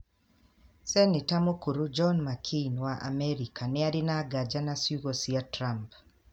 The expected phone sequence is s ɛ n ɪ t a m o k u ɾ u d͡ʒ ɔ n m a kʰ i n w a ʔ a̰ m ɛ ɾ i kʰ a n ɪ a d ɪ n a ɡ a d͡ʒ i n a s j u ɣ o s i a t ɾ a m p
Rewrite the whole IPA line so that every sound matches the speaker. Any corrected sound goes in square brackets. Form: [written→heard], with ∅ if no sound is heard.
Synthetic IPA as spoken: s ɛ n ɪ t a m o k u ɾ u d͡ʒ ɔ n m a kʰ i n w a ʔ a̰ m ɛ ɾ i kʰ a n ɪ a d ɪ n a ɡ a d͡ʒ [i→a] n a s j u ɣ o s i a t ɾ a m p

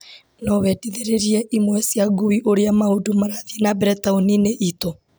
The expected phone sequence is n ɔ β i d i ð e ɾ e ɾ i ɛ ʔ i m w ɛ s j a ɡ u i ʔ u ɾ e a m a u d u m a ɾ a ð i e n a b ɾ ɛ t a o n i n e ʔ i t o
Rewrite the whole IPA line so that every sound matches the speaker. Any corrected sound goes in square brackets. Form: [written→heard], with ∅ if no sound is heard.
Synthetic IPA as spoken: n ɔ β [i→ɛ] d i ð e ɾ e ɾ i ɛ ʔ i m w ɛ s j a ɡ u i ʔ [u→o] ɾ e a m a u d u m a ɾ a ð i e n a b ɾ ɛ t a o n i n e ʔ i t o

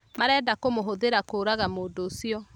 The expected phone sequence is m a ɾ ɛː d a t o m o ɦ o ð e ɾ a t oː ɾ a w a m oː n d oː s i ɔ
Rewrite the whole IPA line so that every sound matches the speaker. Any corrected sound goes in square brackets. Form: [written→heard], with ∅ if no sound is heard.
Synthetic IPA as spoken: m a ɾ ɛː d a [t→k] o m o ɦ o ð e ɾ a [t→k] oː ɾ a [w→ɣ] a m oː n d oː s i ɔ

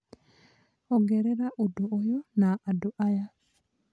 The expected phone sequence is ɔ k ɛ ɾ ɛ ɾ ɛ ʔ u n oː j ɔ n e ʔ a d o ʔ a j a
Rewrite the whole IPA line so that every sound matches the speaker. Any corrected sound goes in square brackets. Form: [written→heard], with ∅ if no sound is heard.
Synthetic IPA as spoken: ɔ [k→ɡ] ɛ ɾ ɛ ɾ [ɛ→a] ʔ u [n→d] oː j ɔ n [e→a] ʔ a d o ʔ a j a

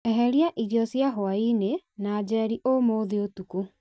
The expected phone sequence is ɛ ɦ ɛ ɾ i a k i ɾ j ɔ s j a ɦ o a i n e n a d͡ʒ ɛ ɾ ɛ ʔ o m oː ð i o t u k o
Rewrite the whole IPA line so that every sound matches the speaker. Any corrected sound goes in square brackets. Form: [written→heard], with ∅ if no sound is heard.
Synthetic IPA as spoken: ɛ ɦ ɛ ɾ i a [k→ʔ] i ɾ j ɔ s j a ɦ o a i n e n a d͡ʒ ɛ ɾ [ɛ→i] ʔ o m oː ð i o t u k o

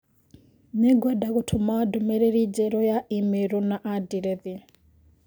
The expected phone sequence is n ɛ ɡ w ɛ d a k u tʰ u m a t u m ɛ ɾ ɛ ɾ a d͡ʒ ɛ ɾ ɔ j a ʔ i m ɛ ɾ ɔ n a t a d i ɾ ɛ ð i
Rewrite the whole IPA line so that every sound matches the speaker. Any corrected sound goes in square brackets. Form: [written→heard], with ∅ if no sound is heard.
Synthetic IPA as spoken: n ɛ ɡ w ɛ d a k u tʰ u m a [t→d] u m ɛ ɾ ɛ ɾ [a→i] d͡ʒ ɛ ɾ ɔ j a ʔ i m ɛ ɾ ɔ n a [t→ʔ] a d i ɾ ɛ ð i

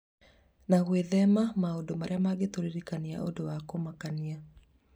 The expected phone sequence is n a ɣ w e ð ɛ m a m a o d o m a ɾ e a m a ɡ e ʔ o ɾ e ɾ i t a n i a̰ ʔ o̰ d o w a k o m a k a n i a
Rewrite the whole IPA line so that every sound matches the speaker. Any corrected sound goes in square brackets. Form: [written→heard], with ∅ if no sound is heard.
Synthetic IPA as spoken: n a ɣ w e ð ɛ m a m a o d o m a ɾ e a m a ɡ e [ʔ→t] o ɾ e ɾ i [t→k] a n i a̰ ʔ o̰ d o w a k o m a k a n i a

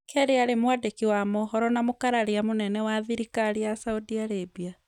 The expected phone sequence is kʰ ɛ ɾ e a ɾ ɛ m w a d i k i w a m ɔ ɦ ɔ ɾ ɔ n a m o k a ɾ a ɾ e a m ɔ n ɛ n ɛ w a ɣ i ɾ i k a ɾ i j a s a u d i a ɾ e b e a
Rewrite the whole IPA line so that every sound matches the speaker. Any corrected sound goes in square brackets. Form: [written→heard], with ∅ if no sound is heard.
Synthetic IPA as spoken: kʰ ɛ ɾ e a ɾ [ɛ→e] m w a d [i→e] k i w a m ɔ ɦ ɔ ɾ ɔ n a m o k a ɾ a ɾ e a m [ɔ→o] n ɛ n ɛ w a [ɣ→ð] i ɾ i k a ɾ i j a s a u d i a ɾ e b [e→i] a

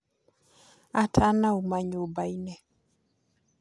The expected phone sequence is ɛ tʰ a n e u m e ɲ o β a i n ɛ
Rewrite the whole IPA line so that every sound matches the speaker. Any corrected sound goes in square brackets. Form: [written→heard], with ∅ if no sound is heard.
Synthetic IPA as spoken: [ɛ→a] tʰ a n [e→a] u m [e→a] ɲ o [β→b] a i n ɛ

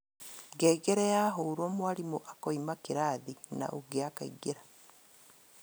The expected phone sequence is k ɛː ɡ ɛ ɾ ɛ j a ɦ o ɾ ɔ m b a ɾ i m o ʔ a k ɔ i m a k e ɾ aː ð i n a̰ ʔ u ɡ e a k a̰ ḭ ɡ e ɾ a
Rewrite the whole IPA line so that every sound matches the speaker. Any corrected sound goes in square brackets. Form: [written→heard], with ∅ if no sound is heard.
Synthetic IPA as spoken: [k→ɡ] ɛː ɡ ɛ ɾ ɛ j a ɦ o ɾ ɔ m [b→w] a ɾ i m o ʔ a k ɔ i m a k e ɾ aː ð i n a̰ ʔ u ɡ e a k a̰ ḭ ɡ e ɾ a

